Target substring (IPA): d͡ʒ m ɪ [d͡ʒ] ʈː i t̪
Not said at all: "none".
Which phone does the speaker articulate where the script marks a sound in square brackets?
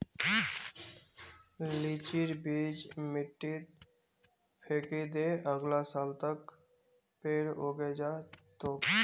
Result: none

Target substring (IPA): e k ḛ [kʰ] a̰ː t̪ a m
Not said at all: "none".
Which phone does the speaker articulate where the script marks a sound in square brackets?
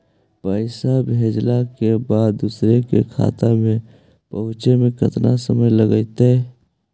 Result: kʰ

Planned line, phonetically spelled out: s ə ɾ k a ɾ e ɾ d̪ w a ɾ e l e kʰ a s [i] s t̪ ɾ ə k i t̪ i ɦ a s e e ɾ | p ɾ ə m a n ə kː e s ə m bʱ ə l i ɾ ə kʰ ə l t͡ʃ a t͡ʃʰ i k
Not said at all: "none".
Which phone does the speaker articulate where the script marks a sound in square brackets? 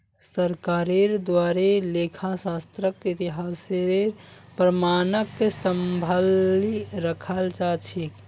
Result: a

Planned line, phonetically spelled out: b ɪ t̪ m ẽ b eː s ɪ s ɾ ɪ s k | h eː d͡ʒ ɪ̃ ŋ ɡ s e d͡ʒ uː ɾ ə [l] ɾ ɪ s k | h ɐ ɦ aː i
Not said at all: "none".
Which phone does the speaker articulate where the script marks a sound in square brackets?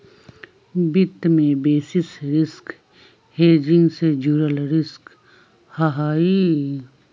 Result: l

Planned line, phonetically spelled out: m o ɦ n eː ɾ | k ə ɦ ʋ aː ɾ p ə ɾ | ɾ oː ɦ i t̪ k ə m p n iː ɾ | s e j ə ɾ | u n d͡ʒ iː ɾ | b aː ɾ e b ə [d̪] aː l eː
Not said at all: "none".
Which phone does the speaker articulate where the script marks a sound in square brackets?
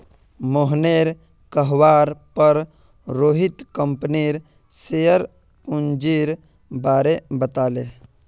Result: t̪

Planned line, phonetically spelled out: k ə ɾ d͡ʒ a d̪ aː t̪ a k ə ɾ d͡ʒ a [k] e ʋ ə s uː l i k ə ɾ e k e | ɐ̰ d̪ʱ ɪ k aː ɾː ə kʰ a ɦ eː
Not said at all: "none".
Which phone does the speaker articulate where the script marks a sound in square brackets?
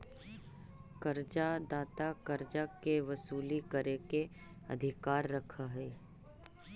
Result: k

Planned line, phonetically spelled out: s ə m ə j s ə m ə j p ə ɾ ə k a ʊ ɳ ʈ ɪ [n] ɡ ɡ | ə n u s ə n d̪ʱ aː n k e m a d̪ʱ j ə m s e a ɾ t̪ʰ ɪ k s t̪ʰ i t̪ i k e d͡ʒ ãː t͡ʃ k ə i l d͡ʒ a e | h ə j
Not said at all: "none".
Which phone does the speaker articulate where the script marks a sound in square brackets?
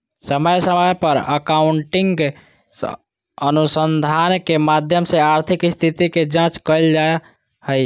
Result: ŋ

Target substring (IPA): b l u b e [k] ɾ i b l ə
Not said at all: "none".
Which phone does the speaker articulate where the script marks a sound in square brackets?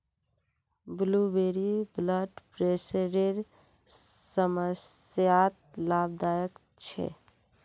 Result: none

